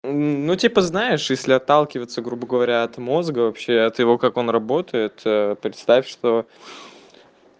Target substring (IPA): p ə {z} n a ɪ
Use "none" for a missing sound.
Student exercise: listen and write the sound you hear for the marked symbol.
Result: z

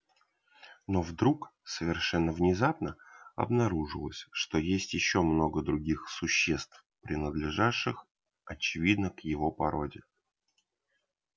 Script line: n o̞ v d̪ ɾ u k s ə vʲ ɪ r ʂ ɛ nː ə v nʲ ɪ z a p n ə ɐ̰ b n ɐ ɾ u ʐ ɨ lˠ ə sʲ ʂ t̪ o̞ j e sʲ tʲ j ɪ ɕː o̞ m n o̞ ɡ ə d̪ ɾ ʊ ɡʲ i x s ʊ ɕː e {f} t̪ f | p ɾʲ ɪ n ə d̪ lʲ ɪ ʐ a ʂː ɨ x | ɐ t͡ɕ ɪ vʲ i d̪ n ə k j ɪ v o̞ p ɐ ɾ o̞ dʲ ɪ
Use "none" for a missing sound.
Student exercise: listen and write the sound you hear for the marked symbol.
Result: s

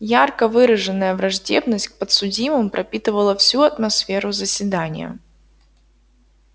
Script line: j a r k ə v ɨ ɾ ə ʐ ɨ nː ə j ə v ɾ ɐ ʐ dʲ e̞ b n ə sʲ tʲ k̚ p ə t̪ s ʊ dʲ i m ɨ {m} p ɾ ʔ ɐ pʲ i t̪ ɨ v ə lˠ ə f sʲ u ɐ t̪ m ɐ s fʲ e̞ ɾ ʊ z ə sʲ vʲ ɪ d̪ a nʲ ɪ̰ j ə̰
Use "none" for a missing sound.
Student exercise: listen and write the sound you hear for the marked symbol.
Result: m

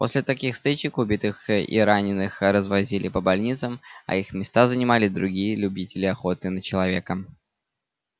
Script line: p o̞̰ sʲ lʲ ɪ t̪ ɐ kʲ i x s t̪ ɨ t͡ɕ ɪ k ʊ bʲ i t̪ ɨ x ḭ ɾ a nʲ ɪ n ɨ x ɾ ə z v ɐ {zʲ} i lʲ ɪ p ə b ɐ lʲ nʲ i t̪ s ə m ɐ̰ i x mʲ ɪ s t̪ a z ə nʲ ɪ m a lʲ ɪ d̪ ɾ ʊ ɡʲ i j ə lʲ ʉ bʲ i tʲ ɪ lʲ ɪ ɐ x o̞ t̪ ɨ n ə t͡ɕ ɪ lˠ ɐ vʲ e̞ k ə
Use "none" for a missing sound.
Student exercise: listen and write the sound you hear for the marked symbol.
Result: zʲ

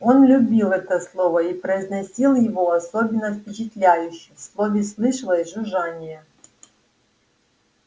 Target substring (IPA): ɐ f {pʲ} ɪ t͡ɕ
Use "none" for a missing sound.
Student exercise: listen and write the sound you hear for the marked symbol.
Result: pʲ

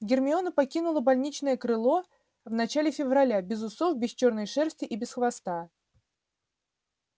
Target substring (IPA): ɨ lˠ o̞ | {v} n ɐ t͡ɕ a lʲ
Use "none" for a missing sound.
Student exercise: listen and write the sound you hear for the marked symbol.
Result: v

